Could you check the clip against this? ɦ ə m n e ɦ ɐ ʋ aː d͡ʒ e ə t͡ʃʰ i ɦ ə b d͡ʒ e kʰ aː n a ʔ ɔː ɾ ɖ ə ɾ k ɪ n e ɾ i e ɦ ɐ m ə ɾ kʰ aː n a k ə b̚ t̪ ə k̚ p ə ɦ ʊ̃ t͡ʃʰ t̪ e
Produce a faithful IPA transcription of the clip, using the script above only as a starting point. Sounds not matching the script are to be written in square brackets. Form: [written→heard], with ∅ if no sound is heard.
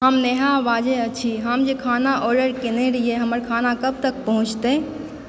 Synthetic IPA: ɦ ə m n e ɦ [ɐ→a] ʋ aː d͡ʒ e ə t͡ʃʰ i ɦ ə [b→m] d͡ʒ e kʰ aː n a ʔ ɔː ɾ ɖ ə ɾ k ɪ n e ɾ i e ɦ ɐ m ə ɾ kʰ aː n a k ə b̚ t̪ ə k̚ p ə ɦ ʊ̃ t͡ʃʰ t̪ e